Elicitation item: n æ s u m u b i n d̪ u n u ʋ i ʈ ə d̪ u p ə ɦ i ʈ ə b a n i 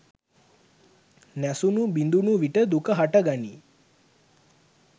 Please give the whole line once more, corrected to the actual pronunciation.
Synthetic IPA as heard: n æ s u n u b i n d̪ u n u ʋ i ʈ ə d̪ u k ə ɦ a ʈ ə ɡ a n i